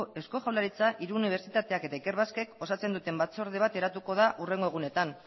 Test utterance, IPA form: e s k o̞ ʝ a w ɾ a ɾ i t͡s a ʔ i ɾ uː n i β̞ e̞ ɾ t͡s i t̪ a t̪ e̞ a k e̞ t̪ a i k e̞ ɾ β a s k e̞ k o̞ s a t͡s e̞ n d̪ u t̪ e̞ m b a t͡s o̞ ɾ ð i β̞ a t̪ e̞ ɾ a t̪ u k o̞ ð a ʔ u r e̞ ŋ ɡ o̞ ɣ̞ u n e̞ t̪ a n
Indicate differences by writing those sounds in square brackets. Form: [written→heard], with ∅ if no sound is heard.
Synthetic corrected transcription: e s k o̞ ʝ a w [ɾ→l] a ɾ i t͡s a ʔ i ɾ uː n i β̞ e̞ ɾ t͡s i t̪ a t̪ e̞ a k e̞ t̪ a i k e̞ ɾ β a s k e̞ k o̞ s a t͡s e̞ n d̪ u t̪ e̞ m b a t͡s o̞ ɾ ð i β̞ a t̪ e̞ ɾ a t̪ u k o̞ ð a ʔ u r e̞ ŋ ɡ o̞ ɣ̞ u n e̞ t̪ a n